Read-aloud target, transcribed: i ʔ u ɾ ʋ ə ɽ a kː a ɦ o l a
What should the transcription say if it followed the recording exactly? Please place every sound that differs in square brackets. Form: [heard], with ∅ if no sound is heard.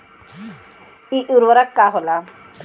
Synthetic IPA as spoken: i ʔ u ɾ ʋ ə [ɾ] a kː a ɦ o l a